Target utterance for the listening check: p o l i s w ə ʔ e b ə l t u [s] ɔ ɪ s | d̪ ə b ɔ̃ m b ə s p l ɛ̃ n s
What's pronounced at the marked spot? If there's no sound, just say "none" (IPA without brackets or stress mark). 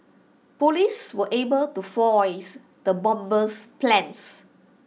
f